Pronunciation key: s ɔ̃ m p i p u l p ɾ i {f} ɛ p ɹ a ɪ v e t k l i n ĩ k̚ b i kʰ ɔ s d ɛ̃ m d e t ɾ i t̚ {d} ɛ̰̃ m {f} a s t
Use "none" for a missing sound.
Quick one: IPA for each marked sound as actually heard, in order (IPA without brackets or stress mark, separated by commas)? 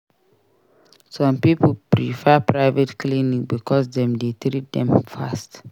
f, d, f